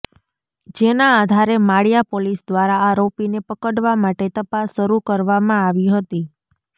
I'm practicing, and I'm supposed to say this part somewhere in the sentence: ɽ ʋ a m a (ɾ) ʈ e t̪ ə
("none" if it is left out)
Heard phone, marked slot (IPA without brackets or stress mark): none